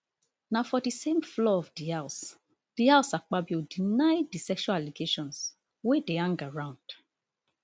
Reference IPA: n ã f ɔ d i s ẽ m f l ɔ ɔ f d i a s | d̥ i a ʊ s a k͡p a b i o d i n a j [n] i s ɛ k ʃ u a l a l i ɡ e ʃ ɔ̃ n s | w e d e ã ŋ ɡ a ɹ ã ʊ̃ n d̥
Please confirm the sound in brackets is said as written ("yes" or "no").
no